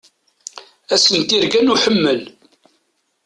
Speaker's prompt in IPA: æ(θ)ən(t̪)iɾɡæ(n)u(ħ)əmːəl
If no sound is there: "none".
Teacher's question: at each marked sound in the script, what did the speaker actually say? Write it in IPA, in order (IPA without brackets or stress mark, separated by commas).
s, t̪, n, ħ